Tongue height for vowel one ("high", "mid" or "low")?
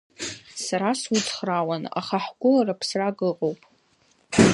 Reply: low